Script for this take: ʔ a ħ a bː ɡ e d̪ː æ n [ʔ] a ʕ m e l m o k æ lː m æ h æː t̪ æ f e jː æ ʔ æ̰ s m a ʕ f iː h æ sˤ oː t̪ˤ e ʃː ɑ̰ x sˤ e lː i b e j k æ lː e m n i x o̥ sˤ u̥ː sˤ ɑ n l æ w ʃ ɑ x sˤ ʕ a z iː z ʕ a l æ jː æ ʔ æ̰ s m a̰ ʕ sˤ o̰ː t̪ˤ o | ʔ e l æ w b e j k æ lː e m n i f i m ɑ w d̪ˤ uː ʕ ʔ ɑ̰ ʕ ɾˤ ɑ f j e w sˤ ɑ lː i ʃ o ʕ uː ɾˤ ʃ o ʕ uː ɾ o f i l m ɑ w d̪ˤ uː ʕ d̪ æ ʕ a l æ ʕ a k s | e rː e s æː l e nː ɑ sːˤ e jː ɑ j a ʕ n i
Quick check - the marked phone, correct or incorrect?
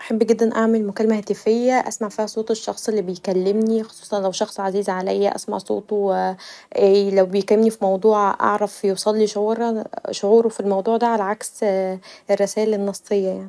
correct